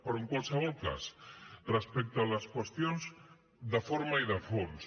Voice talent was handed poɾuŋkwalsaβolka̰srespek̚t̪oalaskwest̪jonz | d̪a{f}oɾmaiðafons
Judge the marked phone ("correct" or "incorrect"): correct